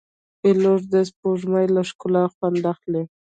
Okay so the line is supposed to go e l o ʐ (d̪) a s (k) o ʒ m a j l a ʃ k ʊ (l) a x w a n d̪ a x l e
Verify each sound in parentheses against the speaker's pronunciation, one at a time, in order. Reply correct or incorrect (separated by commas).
correct, incorrect, correct